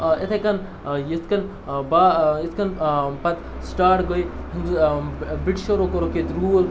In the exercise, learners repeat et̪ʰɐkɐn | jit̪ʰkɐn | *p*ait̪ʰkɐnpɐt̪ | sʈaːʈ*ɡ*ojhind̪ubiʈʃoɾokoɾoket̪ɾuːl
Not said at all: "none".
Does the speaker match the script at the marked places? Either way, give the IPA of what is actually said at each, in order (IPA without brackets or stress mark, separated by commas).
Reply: b, ɡ